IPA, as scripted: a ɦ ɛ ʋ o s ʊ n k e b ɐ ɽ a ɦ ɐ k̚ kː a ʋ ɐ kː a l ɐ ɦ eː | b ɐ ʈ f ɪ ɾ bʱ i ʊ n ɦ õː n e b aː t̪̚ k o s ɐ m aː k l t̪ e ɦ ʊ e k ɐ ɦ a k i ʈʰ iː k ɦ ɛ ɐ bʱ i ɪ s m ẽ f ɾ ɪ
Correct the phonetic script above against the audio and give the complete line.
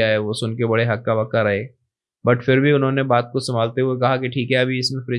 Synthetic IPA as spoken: a ɦ ɛ ʋ o s ʊ n k e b ɐ ɽ e ɦ ɐ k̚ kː a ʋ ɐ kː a ɾ ɐ ɦ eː | b ɐ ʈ f ɪ ɾ bʱ i ʊ n ɦ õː n e b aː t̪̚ k o s ɐ m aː l t̪ e ɦ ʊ e k ɐ ɦ a k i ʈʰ iː k ɦ ɛ ɐ bʱ i ɪ s m ẽ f ɾ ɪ